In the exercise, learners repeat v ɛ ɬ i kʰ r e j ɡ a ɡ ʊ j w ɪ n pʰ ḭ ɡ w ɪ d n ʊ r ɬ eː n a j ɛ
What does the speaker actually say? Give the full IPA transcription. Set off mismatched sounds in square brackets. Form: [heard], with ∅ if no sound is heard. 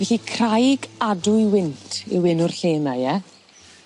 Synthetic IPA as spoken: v ɛ ɬ i kʰ r [a] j ɡ a [d] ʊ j w ɪ n [tʰ] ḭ [∅] w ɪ [∅] n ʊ r ɬ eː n a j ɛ